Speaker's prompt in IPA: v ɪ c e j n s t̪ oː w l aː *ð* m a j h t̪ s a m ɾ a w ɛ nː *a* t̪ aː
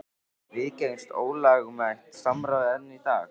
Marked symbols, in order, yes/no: no, no

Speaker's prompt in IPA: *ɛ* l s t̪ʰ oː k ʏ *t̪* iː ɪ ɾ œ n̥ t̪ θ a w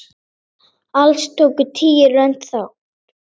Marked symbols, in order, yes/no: no, no

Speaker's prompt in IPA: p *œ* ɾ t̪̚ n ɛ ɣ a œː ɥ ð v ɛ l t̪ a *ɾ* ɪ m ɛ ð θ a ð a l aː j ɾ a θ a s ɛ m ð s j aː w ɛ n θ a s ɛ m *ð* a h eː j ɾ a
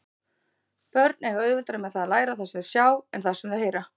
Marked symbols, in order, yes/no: yes, yes, yes

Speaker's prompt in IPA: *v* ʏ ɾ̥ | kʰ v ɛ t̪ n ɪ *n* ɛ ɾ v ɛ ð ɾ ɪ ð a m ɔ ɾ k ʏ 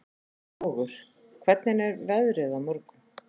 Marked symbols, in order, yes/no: no, yes

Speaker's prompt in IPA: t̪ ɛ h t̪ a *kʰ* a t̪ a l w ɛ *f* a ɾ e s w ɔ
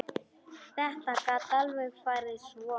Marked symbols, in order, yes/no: no, yes

